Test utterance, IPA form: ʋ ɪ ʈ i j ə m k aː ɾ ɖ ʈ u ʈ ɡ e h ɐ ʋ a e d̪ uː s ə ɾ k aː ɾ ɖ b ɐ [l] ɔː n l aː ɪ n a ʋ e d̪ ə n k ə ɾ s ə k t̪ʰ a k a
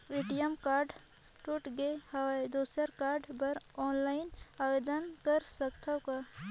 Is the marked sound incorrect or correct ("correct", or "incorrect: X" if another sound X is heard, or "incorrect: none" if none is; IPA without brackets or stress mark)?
incorrect: ɾ